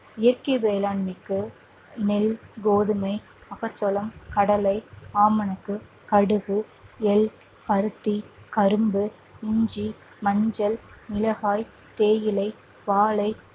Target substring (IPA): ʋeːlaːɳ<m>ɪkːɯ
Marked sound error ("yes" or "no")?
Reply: no